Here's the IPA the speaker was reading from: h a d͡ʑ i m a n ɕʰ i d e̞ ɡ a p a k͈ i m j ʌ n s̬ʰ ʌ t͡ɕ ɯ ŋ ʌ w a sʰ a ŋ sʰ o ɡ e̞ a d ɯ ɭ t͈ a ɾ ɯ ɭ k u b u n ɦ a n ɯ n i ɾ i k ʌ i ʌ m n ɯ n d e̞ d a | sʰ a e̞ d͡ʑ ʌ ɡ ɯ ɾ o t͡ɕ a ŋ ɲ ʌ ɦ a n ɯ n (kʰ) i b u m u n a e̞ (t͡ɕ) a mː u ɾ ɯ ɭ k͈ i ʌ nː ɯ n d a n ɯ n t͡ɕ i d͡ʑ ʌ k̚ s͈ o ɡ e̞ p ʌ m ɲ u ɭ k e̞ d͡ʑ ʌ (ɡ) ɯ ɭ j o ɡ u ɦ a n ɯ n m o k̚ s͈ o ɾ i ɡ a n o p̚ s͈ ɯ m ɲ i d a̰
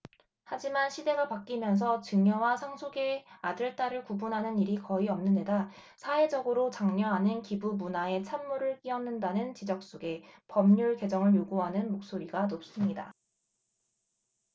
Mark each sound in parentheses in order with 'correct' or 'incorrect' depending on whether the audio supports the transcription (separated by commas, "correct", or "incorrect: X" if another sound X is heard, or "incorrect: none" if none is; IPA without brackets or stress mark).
incorrect: k, incorrect: t͡ɕʰ, incorrect: ŋ